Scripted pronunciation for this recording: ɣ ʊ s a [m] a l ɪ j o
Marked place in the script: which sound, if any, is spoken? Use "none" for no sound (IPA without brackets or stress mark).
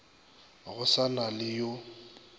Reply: n